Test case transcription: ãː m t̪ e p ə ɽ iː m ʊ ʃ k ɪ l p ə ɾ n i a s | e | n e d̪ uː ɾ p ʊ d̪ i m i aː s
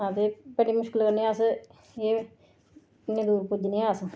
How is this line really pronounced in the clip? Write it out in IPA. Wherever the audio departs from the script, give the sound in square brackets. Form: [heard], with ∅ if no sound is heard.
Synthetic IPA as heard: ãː [∅] t̪ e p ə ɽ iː m ʊ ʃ k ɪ l [k] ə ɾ n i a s | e | n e d̪ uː ɾ p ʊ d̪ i [n] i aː s